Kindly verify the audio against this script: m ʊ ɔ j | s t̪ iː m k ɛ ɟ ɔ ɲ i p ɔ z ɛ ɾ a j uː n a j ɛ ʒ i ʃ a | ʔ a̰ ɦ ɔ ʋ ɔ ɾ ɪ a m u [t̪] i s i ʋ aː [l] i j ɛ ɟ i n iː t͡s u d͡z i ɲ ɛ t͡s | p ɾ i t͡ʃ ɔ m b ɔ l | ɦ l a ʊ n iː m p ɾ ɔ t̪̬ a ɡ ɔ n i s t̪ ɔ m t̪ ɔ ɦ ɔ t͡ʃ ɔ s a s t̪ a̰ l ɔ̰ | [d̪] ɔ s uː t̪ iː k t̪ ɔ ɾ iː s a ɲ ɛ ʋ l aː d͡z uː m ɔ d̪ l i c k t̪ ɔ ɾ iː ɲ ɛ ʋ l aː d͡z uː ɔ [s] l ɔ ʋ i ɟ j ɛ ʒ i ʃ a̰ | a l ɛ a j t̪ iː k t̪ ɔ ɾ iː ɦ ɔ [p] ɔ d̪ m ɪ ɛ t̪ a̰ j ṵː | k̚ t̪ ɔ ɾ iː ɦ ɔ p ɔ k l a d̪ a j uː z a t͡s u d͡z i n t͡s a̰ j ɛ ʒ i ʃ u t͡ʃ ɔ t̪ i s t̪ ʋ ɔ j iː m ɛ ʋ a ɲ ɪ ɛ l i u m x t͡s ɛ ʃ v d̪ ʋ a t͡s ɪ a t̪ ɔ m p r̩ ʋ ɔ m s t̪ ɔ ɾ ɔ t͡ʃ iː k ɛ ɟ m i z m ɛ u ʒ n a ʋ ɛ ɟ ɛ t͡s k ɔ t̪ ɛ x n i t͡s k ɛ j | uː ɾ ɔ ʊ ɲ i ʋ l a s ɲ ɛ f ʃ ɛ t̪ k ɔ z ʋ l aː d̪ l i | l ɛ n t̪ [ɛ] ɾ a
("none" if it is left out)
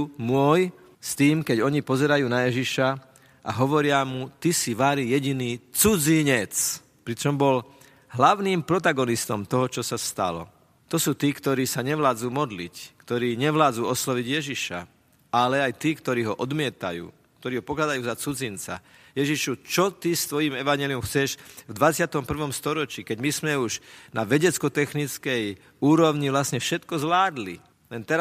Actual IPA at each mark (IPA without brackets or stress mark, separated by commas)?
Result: t̪, ɾ, t̪, s, ʔ, ɛ